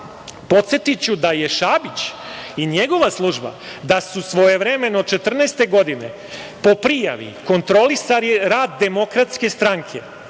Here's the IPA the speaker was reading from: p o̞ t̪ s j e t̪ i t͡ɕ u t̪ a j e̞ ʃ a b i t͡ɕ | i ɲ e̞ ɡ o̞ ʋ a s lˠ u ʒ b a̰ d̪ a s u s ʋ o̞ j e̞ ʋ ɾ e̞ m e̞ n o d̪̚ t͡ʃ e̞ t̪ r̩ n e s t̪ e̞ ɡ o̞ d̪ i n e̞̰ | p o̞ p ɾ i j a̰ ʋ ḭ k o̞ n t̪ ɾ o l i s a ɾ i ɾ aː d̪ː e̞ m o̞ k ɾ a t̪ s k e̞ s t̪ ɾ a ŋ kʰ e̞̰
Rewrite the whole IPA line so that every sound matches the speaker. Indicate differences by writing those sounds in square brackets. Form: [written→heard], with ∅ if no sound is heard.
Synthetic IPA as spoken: p o̞ t̪ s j e t̪ i t͡ɕ u [t̪→d̪] a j e̞ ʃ a b i t͡ɕ | i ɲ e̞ ɡ o̞ ʋ a s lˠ u ʒ b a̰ d̪ a s u s ʋ o̞ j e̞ ʋ ɾ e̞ m e̞ n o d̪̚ t͡ʃ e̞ t̪ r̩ n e s t̪ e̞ ɡ o̞ d̪ i n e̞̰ | p o̞ p ɾ i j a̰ ʋ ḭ k o̞ n t̪ ɾ o l i s a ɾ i ɾ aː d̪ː e̞ m o̞ k ɾ a t̪ s k e̞ s t̪ ɾ a ŋ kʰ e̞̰